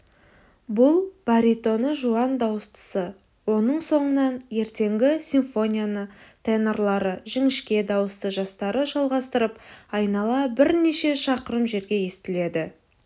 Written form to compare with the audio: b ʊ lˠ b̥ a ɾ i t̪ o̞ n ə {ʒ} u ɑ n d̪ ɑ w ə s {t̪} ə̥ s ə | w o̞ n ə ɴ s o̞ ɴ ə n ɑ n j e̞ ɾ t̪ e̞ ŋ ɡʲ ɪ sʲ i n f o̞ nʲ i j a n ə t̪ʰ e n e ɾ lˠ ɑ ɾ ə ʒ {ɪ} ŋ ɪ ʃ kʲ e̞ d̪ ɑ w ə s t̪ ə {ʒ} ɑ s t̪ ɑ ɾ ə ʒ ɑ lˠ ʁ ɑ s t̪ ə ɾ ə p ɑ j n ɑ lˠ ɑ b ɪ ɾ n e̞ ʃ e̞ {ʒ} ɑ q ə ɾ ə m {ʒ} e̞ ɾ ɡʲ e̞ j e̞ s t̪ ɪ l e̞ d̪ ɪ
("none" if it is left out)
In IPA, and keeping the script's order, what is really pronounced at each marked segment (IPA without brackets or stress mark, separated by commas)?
ʒ, t̪, ɪ, ʒ, ʃ, ʒ